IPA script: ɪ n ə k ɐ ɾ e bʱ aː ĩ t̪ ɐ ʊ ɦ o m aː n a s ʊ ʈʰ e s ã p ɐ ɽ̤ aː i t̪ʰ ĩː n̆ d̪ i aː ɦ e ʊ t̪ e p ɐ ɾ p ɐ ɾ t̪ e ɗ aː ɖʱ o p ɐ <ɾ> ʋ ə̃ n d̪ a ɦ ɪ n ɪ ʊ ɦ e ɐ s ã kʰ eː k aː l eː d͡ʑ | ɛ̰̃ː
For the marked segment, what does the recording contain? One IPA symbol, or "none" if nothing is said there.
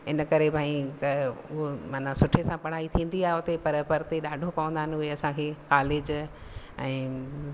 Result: none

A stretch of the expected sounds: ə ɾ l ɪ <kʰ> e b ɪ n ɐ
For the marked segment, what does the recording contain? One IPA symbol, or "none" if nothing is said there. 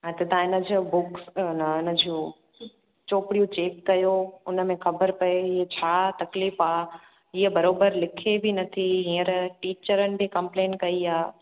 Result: kʰ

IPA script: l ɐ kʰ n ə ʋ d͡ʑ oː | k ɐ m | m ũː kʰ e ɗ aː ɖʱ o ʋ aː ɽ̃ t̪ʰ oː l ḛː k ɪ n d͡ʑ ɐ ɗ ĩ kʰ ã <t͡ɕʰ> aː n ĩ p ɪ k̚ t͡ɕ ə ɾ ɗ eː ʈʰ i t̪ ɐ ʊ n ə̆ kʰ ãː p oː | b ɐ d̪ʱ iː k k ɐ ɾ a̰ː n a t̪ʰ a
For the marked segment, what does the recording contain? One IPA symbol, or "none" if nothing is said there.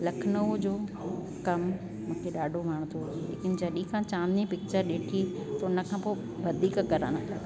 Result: t͡ɕ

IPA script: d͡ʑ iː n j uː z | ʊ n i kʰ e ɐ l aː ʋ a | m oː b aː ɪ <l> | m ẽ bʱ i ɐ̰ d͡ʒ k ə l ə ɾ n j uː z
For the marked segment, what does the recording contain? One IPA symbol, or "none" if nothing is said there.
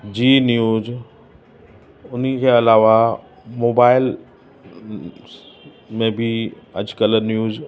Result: l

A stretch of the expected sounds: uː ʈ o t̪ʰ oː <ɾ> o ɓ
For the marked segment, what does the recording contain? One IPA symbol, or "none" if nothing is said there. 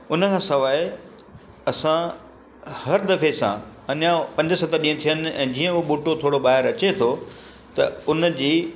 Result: ɽ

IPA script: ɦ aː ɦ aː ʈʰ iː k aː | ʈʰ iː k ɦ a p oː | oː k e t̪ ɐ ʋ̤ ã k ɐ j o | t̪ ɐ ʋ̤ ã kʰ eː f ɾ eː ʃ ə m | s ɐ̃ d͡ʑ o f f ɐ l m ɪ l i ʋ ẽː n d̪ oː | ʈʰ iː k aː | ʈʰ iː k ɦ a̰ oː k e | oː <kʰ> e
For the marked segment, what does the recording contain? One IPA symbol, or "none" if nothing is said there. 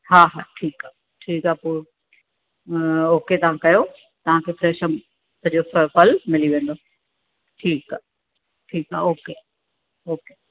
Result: k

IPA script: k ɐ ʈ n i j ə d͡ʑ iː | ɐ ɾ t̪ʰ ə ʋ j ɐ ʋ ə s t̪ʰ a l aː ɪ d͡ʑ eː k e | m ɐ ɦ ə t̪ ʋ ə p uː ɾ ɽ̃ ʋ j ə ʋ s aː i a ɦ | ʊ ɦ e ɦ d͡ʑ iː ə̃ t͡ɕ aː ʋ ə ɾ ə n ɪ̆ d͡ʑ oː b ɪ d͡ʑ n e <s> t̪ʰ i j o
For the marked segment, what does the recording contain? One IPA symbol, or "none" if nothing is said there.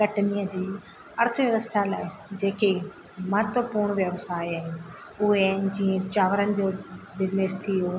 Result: s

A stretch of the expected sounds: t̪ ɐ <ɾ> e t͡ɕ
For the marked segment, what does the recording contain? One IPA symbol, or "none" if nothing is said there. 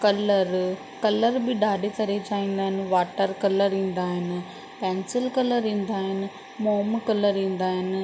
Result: ɾ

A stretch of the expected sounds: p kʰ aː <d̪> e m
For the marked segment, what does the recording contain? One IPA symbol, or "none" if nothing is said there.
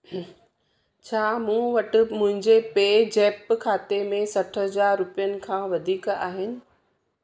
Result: t̪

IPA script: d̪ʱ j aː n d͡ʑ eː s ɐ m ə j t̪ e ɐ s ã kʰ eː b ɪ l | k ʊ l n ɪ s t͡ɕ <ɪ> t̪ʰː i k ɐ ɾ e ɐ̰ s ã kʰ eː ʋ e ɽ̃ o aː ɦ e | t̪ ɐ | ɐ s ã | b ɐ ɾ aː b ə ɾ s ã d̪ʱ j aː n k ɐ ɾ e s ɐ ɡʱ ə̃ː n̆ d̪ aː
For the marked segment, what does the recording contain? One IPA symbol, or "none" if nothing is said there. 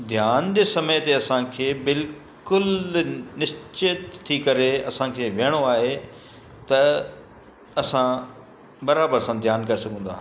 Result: ɪ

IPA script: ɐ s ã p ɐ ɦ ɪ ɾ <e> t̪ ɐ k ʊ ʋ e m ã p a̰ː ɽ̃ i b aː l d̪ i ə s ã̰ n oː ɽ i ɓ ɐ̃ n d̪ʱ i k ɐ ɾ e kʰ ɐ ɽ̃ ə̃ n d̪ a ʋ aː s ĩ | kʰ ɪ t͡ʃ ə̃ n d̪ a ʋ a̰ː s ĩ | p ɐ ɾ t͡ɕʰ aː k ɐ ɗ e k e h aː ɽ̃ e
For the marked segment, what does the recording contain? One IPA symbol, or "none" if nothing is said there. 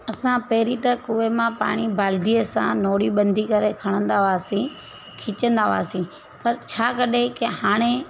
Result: i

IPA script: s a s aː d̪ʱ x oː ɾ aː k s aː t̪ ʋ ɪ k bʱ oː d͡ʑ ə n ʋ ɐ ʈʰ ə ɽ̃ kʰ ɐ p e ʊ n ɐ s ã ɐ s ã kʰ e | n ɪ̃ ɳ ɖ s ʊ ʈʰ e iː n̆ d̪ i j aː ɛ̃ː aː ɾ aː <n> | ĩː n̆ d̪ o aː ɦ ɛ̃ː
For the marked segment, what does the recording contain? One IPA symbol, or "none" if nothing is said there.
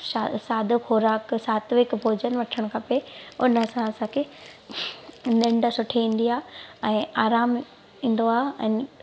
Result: m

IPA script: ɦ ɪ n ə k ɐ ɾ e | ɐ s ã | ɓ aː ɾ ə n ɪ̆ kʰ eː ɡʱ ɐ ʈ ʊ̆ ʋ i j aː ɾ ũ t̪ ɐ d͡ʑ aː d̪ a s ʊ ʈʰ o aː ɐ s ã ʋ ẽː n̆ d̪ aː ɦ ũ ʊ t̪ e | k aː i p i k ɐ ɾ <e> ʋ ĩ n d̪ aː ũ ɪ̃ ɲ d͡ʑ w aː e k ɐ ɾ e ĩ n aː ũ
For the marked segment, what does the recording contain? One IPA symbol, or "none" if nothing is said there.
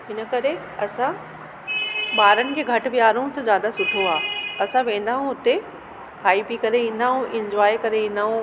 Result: e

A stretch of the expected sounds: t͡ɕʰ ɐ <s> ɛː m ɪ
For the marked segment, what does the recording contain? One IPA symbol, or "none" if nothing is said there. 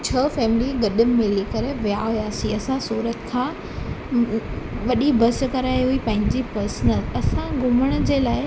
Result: f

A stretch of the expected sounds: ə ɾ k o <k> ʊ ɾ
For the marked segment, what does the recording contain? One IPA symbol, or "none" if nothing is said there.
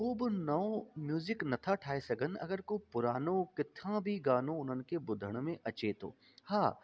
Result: p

